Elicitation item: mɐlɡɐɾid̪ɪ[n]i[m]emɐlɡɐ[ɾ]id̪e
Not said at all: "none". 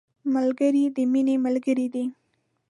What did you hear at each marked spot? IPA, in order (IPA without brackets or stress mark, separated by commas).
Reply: m, n, ɾ